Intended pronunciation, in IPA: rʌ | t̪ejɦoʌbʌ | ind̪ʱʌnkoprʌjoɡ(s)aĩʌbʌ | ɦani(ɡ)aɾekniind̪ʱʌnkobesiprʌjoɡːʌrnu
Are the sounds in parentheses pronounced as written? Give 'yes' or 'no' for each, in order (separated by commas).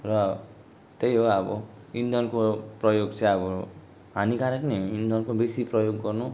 no, no